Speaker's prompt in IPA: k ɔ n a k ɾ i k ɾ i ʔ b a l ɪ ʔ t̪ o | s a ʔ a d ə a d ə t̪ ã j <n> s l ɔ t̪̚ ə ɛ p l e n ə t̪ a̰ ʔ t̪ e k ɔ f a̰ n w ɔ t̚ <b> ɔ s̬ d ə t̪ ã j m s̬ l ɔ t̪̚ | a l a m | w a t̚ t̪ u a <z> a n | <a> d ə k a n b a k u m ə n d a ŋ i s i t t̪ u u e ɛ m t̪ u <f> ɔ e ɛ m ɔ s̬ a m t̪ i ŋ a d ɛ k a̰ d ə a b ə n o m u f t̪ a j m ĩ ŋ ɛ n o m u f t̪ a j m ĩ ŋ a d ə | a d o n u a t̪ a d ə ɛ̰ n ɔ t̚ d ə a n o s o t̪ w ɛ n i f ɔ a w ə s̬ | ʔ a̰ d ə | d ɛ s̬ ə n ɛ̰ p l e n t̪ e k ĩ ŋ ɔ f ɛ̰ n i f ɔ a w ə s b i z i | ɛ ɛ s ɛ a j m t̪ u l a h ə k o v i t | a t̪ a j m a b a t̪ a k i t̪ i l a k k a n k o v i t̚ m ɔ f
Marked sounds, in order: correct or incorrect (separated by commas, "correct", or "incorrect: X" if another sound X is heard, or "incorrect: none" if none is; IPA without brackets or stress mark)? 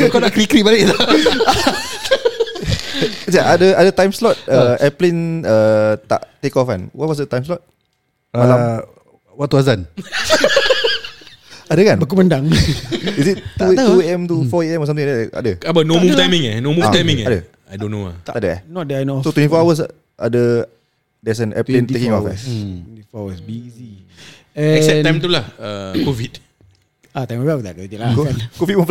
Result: incorrect: m, incorrect: w, correct, correct, correct